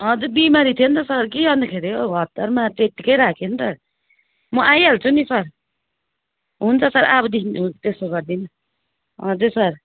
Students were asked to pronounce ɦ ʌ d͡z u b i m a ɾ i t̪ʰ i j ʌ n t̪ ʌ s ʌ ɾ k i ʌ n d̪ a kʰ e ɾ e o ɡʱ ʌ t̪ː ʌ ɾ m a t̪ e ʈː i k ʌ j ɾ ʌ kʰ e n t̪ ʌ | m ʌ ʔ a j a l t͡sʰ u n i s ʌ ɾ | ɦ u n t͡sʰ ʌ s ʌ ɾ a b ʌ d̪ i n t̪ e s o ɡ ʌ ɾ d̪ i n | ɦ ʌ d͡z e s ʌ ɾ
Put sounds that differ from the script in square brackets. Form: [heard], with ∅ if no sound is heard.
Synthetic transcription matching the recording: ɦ ʌ d͡z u b i m a ɾ i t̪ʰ i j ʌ n t̪ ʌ s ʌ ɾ k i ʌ n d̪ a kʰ e ɾ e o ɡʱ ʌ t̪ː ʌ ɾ m a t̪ e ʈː i k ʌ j ɾ [a] kʰ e n t̪ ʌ | m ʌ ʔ a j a l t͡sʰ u n i s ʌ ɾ | ɦ u n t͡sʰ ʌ s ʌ ɾ a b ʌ d̪ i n t̪ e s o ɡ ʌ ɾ d̪ i n | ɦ ʌ d͡z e s ʌ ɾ